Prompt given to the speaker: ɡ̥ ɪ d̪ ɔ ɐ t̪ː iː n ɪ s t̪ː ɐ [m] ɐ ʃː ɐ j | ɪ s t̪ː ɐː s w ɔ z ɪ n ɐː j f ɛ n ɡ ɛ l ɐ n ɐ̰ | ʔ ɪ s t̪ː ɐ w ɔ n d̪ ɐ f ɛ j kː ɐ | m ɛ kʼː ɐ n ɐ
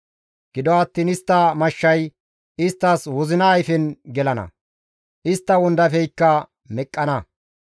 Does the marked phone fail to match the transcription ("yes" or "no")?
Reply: no